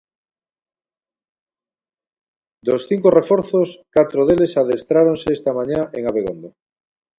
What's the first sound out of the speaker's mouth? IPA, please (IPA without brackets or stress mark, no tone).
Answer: d̪